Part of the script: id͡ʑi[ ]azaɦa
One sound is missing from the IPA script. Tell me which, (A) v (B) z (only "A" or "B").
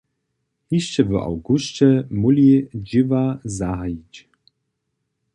A